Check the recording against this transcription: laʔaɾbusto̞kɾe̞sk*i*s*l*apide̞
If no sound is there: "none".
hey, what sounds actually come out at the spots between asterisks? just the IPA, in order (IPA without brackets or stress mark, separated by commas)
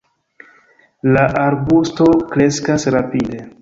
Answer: a, ɾ